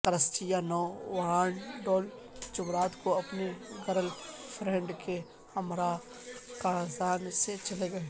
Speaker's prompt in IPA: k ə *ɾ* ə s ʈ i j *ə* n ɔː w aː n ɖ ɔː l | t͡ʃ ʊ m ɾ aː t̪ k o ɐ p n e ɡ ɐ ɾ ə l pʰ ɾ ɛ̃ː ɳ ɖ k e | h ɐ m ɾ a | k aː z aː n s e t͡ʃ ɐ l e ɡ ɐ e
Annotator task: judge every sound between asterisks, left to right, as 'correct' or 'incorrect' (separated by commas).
correct, incorrect